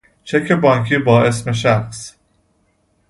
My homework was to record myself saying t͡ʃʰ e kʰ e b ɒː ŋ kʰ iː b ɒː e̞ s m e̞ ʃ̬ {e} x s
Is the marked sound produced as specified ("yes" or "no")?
no